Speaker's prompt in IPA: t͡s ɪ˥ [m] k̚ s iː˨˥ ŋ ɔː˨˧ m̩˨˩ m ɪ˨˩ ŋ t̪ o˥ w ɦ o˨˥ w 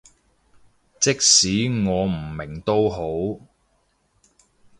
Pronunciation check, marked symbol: incorrect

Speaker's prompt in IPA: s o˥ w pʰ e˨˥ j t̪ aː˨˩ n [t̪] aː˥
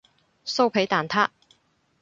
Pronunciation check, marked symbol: incorrect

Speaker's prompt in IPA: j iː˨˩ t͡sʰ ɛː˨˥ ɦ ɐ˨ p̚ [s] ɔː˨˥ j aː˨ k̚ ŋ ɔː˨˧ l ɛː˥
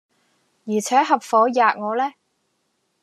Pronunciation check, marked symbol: incorrect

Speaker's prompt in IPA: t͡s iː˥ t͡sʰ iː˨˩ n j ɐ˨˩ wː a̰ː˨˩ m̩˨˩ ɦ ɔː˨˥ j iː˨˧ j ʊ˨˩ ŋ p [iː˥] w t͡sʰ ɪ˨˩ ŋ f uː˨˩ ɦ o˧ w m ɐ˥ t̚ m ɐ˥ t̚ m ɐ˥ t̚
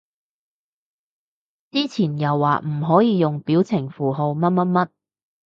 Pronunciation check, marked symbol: incorrect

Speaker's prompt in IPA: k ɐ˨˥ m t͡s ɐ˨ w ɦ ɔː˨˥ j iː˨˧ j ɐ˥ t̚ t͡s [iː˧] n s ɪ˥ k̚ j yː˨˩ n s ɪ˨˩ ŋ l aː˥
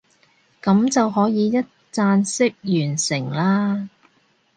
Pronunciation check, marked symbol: incorrect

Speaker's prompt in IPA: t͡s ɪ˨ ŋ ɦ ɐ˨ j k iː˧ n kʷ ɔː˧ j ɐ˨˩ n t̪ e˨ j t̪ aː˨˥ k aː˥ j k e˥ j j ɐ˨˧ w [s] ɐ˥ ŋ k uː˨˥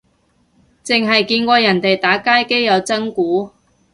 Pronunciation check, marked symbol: incorrect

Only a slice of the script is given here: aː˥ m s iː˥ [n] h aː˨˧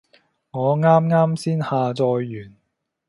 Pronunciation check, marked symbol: correct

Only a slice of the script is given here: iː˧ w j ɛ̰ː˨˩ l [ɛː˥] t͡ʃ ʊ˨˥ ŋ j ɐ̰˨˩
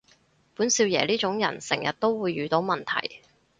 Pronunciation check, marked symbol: incorrect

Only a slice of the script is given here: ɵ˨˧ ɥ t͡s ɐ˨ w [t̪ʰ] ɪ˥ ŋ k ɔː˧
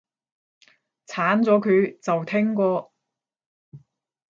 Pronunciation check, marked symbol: correct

